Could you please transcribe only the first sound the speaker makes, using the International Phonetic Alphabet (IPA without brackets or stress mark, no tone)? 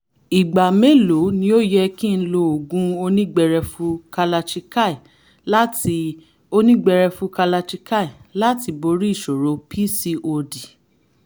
i